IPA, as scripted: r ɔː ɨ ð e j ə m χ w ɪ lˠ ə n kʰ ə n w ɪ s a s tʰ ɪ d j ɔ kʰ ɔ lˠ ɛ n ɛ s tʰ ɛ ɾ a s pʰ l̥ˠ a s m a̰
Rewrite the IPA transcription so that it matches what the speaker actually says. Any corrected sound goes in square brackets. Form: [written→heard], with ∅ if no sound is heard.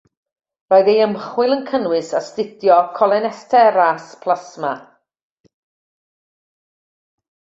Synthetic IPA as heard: r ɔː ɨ ð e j ə m χ w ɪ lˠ ə n kʰ ə n w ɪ s a s [tʰ→t] ɪ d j ɔ kʰ ɔ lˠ ɛ n ɛ s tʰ ɛ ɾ a s pʰ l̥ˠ a s m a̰